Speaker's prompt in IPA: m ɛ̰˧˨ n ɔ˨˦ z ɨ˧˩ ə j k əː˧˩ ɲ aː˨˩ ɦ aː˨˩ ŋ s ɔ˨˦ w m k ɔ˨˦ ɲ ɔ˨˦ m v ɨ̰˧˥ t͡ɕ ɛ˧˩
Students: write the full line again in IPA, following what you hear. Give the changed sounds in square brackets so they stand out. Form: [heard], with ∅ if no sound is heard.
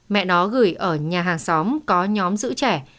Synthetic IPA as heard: m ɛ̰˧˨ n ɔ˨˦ [ɣ] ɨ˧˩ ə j [ʔ] əː˧˩ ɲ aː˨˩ ɦ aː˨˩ ŋ s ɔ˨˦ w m k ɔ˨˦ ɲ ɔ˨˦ m [z] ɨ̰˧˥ t͡ɕ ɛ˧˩